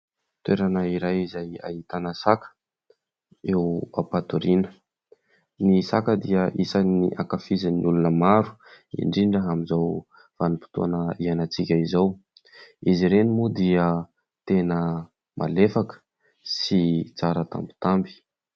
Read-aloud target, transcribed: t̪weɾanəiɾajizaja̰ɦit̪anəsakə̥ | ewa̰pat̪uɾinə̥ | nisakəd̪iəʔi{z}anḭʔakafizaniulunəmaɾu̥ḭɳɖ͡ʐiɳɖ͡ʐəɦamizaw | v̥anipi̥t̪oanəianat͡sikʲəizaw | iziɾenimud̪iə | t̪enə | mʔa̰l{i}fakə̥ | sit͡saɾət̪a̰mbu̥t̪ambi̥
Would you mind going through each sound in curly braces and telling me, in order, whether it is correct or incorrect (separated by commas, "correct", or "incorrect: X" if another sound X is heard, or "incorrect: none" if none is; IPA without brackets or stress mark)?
incorrect: s, incorrect: e